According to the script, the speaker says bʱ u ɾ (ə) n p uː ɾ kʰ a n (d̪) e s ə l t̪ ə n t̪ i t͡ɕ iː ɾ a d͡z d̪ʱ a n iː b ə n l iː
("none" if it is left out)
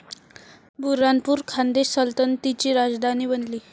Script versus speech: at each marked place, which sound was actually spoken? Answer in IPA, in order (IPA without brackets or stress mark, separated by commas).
a, d̪